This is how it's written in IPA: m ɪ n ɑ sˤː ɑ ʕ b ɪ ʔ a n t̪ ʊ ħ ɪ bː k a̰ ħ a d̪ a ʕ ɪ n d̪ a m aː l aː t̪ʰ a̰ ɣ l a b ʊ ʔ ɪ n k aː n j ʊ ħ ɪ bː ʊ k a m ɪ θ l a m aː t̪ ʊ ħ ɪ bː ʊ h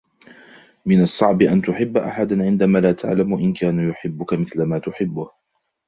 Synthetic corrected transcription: m ɪ n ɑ sˤː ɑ ʕ b ɪ ʔ a n t̪ ʊ ħ ɪ bː ʔ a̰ ħ a d̪ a ʕ ɪ n d̪ a m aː l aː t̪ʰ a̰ ʕ l a m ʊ ʔ ɪ n k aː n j ʊ ħ ɪ bː ʊ k a m ɪ θ l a m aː t̪ ʊ ħ ɪ bː ʊ h